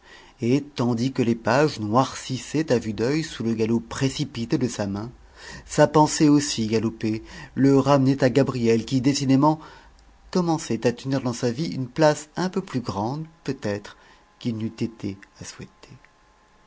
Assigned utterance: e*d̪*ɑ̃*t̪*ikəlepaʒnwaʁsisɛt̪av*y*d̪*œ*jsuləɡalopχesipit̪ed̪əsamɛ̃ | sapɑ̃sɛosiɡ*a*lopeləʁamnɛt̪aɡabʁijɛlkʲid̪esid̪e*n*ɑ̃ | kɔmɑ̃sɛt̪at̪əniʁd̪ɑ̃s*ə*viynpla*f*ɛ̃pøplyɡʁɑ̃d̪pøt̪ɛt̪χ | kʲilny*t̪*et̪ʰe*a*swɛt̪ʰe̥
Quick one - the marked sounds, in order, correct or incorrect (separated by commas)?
incorrect, incorrect, correct, correct, correct, incorrect, incorrect, incorrect, correct, correct